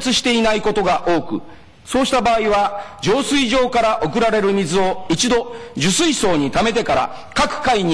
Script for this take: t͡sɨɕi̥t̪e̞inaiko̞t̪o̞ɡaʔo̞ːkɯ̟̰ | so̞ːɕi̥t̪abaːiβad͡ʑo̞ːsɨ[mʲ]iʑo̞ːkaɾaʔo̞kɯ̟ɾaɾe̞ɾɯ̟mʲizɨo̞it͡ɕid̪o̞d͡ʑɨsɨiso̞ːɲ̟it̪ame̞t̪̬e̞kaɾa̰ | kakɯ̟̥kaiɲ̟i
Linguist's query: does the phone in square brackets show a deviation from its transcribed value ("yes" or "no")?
yes